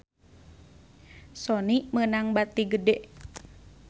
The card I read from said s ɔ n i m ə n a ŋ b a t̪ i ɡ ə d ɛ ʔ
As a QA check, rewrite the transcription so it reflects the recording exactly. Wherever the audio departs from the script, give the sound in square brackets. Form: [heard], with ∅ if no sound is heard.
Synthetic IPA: s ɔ n i m ə n a ŋ b a t̪ i ɡ ə d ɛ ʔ